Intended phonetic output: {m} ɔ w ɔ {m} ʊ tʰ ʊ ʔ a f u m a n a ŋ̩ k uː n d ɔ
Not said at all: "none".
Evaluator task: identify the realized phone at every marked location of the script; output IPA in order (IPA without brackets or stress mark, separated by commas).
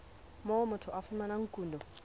m, m